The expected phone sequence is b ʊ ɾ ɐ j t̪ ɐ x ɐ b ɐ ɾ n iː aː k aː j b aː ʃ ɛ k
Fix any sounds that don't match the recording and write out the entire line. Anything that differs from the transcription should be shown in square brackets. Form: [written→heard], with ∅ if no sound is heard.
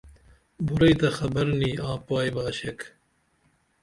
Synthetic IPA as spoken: b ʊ ɾ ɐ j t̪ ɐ x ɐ b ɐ ɾ n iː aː [k→p] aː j b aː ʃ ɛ k